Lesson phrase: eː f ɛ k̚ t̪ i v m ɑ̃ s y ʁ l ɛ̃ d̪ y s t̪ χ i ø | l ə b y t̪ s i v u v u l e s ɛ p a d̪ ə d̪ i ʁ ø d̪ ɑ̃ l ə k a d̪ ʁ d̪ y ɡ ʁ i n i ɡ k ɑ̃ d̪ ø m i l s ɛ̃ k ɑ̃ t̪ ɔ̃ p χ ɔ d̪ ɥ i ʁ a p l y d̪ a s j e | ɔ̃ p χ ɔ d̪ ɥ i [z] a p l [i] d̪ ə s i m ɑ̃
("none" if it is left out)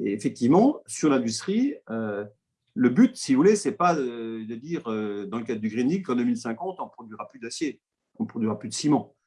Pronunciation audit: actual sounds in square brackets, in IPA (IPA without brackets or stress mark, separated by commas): ʁ, y